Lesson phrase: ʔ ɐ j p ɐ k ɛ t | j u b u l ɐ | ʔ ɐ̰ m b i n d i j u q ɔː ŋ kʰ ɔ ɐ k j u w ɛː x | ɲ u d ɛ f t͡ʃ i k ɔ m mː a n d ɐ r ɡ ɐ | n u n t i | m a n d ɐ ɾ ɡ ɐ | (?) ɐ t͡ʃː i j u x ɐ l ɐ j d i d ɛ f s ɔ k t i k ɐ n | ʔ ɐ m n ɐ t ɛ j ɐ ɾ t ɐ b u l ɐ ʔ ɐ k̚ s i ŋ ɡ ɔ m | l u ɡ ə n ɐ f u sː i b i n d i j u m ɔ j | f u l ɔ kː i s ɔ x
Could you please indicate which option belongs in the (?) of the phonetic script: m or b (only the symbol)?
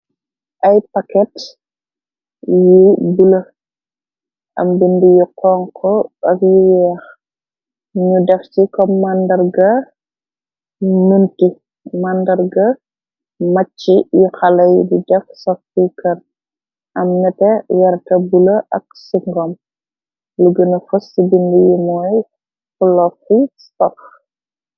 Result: m